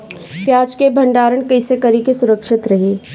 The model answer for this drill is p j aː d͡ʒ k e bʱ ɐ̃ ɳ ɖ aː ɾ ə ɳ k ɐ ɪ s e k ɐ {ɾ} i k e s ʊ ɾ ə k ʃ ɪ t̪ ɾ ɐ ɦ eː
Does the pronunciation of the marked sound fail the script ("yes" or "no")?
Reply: no